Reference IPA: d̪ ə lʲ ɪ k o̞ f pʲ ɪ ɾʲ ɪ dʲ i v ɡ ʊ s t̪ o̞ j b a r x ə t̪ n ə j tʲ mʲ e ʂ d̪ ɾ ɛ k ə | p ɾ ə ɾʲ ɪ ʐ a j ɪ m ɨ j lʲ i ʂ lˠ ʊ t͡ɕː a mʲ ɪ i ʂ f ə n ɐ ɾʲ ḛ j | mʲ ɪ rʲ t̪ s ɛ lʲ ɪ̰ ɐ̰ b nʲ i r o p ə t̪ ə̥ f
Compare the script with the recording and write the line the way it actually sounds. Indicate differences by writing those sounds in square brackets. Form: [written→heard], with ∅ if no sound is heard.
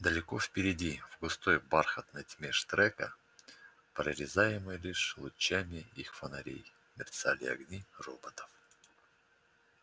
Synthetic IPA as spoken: d̪ ə lʲ ɪ k o̞ f pʲ ɪ ɾʲ ɪ dʲ i v ɡ ʊ s t̪ o̞ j b a r x ə t̪ n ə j tʲ mʲ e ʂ [d̪→t̪] ɾ ɛ k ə | p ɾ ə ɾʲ ɪ [ʐ→z] a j ɪ m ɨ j lʲ i ʂ lˠ ʊ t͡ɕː a mʲ ɪ i [ʂ→x] f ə n ɐ ɾʲ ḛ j | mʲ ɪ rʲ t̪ s [ɛ→a] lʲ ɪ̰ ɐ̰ [b→ɡ] nʲ i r o [p→b] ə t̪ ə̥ f